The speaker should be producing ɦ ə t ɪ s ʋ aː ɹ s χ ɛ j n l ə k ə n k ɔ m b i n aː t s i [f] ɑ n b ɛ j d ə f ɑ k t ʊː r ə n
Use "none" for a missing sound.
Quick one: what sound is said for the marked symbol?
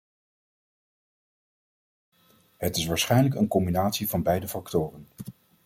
v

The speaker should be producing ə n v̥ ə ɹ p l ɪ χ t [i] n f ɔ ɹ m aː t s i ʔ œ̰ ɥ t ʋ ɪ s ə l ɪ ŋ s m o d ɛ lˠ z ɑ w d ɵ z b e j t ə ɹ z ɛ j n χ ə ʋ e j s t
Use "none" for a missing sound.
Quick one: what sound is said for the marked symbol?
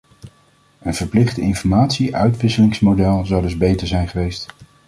ɪ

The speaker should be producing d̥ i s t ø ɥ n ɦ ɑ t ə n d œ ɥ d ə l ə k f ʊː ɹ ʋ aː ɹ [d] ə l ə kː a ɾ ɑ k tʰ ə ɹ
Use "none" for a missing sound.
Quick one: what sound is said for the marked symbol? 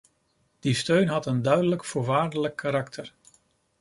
d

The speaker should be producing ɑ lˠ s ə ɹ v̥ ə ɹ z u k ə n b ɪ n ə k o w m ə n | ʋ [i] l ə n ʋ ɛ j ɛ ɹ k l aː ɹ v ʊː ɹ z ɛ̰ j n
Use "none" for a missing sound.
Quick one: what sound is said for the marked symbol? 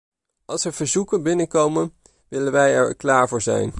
ɪ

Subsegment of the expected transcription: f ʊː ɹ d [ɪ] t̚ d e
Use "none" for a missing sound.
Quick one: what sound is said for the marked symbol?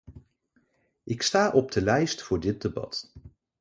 ɪ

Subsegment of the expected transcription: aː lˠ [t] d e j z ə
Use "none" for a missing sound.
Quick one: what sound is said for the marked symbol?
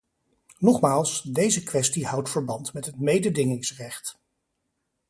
s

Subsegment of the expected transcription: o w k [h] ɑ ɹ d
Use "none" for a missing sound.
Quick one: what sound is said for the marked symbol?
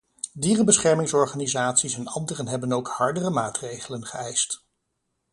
h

